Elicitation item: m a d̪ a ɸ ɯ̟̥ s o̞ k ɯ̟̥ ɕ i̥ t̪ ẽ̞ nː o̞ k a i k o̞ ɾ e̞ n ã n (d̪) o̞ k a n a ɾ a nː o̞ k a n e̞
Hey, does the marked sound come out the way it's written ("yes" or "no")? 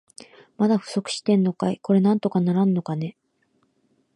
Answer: no